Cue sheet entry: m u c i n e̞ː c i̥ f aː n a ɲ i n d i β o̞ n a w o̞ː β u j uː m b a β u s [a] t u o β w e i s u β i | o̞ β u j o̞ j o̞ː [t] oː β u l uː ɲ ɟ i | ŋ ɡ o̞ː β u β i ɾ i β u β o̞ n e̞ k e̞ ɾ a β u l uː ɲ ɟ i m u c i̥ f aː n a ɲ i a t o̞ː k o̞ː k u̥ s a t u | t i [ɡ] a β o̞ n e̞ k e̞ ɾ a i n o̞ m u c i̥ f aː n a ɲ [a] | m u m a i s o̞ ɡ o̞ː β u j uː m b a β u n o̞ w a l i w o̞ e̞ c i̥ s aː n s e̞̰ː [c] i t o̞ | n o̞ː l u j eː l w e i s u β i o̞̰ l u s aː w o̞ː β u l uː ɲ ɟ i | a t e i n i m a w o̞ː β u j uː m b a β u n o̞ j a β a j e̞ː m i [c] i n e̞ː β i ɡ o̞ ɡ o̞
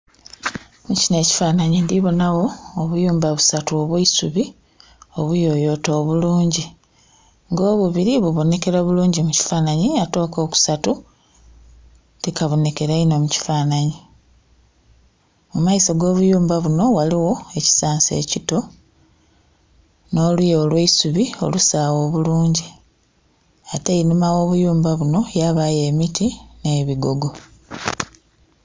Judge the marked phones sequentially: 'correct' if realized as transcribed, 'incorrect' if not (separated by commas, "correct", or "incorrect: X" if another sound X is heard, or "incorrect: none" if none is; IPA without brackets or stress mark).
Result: correct, correct, incorrect: k, incorrect: i, correct, incorrect: t